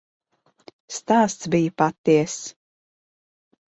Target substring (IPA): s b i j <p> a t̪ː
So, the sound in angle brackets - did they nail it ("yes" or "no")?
yes